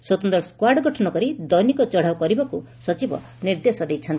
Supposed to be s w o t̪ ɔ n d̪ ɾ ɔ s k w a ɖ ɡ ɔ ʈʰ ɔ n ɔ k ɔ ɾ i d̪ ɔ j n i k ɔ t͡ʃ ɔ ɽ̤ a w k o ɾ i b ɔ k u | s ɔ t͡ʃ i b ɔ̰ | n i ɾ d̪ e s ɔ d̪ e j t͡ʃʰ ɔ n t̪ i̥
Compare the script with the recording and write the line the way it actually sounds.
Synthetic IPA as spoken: s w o t̪ ɔ n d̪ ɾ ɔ s k w a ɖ ɡ ɔ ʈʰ ɔ n ɔ k ɔ ɾ i d̪ ɔ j n i k ɔ t͡ʃ ɔ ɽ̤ a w k ɔ ɾ i b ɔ k u | s ɔ t͡ʃ i b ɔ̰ | n i ɾ d̪ e s ɔ d̪ e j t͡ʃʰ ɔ n t̪ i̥